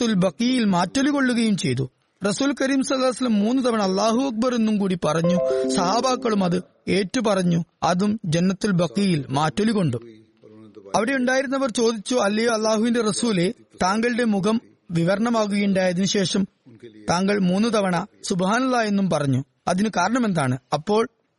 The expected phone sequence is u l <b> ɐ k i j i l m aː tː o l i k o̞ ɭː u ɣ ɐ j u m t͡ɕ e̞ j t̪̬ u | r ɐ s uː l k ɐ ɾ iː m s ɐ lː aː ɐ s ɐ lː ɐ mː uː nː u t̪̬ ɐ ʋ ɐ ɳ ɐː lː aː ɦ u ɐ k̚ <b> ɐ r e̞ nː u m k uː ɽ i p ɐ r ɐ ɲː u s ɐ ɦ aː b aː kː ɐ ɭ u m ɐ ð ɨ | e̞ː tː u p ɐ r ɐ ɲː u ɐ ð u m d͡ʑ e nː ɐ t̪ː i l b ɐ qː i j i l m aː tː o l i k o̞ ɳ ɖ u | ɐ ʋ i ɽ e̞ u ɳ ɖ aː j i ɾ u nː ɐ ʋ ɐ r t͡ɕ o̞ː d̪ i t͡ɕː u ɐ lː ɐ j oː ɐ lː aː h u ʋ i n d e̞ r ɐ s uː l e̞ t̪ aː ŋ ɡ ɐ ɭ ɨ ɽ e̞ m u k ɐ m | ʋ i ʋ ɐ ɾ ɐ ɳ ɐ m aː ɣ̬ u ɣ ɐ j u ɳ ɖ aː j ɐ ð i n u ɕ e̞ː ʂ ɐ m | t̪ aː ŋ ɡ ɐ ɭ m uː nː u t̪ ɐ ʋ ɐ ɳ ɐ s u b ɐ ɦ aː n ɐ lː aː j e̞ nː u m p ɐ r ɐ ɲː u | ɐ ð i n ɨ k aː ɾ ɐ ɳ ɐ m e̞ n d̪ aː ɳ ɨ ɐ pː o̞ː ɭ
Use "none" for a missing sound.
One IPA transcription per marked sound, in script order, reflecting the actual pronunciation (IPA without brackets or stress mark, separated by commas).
b, b